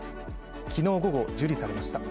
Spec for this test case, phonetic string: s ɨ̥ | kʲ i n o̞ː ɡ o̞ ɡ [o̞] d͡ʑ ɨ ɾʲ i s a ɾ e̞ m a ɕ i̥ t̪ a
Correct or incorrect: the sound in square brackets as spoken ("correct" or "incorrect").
correct